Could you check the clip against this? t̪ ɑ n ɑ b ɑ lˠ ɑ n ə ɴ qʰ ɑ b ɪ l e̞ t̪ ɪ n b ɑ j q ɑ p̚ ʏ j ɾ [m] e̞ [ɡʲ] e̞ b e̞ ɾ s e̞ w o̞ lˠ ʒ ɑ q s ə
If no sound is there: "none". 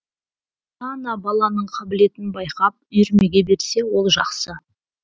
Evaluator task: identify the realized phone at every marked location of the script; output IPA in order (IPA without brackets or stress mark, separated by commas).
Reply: m, ɡʲ